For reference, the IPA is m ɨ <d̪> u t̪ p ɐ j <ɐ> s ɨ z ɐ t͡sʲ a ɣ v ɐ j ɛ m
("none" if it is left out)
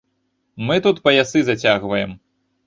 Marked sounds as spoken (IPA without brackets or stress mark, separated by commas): t̪, a